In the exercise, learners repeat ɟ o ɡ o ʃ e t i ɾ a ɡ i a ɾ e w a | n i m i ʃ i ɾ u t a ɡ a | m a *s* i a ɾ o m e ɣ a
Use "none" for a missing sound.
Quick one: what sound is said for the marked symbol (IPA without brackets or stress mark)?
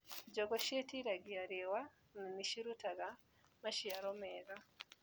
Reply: ʃ